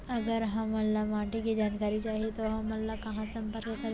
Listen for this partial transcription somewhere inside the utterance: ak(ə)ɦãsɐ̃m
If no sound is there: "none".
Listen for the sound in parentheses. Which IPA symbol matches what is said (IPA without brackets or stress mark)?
ɐ